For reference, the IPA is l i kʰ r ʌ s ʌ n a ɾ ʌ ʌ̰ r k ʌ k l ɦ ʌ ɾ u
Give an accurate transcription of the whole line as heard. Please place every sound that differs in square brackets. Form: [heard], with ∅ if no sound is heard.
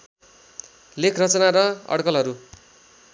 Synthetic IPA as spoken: l [e] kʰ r ʌ [t͡s] ʌ n a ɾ ʌ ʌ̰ [ɽ] k ʌ [∅] l ɦ ʌ ɾ u